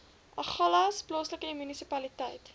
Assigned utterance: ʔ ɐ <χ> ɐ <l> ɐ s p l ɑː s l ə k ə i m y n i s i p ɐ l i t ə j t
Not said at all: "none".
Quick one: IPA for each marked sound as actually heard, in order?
χ, l

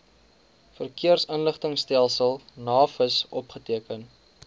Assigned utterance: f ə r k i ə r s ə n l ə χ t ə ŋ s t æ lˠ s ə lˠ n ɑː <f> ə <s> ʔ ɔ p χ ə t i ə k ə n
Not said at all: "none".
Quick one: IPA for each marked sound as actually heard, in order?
f, s

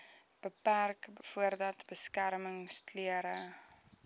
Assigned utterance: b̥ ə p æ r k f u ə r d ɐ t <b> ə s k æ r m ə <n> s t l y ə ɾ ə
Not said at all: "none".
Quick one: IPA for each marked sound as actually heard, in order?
b, ŋ

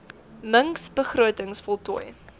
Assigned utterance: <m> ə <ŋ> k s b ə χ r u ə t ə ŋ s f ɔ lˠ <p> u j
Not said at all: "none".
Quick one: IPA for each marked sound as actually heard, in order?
m, ŋ, t

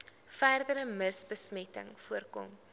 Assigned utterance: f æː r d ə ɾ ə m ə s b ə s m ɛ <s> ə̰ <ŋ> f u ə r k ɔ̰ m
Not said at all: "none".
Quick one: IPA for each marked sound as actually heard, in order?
t, ŋ

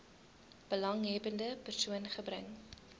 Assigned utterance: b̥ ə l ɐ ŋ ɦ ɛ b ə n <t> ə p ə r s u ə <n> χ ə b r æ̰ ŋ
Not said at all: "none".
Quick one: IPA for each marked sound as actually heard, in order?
d, n

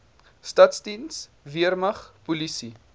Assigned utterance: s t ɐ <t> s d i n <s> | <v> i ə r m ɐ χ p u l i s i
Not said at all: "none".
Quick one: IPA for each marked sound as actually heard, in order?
t, s, v

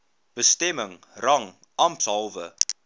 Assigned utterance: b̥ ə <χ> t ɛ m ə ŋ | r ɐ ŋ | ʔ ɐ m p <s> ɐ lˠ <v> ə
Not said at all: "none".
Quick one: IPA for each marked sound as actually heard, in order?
s, s, v

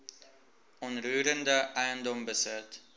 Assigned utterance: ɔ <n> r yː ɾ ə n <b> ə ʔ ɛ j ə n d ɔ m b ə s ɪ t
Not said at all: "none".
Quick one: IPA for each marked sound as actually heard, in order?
n, d

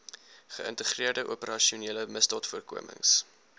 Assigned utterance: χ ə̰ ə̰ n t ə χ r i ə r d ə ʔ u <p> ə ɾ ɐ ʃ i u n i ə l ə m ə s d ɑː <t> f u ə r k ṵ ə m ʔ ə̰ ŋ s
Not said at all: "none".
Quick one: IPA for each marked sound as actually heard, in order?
p, t

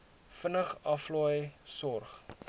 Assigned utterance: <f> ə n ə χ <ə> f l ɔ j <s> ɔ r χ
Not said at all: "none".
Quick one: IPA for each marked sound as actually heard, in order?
f, ɐ, s

